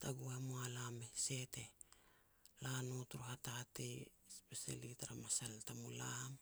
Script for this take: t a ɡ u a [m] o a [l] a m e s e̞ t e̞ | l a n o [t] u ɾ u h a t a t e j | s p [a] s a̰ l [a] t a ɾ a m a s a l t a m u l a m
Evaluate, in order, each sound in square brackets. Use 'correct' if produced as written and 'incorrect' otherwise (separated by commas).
correct, correct, correct, incorrect, incorrect